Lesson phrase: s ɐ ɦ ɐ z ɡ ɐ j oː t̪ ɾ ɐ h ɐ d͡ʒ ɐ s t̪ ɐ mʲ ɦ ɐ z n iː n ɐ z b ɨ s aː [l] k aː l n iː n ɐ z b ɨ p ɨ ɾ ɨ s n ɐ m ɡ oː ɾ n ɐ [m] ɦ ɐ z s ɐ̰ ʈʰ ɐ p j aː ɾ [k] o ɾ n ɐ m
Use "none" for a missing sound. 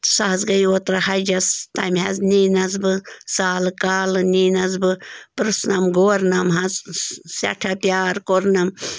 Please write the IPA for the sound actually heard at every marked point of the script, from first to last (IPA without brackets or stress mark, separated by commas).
l, m, k